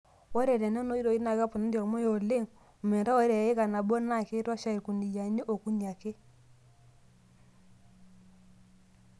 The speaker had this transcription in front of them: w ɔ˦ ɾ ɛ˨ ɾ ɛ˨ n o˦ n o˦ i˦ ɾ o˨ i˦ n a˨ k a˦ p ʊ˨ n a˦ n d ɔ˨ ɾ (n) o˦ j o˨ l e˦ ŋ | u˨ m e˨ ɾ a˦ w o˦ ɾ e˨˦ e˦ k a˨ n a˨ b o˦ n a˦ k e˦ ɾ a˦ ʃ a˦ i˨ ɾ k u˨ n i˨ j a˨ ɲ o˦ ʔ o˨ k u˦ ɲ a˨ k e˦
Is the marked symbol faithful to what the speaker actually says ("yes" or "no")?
no